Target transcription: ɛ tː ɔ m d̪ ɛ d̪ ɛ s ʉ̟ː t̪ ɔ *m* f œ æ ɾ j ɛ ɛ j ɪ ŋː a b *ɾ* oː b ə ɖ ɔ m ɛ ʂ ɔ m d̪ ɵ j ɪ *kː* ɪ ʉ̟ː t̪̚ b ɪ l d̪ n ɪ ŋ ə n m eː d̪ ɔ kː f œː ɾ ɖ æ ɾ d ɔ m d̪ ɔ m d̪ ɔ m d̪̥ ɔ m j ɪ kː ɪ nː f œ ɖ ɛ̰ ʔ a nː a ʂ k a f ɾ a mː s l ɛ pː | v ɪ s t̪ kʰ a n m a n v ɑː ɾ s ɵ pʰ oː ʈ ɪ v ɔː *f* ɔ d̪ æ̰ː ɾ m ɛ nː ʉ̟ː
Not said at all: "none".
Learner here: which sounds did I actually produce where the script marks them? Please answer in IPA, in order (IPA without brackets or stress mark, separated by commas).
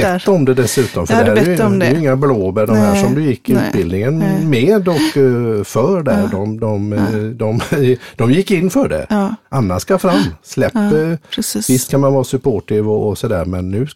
m, l, kː, s